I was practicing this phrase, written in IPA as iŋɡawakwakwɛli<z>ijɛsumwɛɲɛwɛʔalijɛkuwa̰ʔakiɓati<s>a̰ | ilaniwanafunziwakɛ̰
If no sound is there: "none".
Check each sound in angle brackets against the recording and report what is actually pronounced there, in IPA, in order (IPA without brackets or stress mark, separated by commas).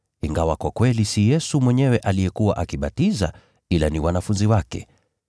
s, z